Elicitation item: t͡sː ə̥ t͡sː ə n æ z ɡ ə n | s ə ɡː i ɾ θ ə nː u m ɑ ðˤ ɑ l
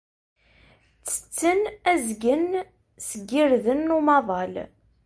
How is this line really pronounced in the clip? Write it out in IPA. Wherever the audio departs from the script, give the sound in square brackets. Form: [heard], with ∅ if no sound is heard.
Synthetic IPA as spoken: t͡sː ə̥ t͡sː ə n æ z ɡ ə n | s ə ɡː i ɾ [ð] ə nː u m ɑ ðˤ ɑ l